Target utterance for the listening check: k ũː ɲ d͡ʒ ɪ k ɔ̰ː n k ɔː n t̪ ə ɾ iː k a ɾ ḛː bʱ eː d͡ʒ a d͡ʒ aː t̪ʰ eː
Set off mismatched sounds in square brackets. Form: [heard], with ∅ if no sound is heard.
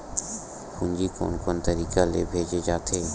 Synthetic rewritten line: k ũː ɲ d͡ʒ [i] k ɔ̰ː n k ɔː n t̪ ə ɾ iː k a [l] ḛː bʱ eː d͡ʒ [e] d͡ʒ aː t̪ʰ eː